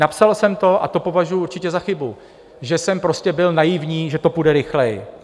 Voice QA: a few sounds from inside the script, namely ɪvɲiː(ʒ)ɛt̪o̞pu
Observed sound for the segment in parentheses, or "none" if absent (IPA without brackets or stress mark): ʒ